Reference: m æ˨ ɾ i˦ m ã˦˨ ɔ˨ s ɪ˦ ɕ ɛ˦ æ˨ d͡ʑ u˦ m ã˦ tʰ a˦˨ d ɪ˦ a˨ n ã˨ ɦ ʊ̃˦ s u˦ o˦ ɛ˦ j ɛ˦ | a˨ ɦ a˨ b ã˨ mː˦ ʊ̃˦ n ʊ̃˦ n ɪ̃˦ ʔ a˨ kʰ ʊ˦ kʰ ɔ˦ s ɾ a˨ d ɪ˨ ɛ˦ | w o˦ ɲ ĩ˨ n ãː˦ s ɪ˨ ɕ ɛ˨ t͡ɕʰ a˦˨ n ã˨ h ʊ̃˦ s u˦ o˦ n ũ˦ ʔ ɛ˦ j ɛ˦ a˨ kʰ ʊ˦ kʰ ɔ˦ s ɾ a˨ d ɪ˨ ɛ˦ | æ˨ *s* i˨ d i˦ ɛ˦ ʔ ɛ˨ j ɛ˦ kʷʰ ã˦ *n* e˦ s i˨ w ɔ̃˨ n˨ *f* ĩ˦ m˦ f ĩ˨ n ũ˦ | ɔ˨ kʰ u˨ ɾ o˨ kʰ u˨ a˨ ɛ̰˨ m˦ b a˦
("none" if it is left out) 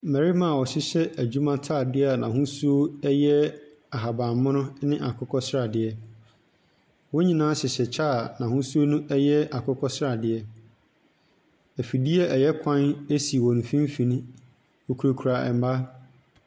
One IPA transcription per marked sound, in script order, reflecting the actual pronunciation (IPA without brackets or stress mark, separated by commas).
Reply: f, n, f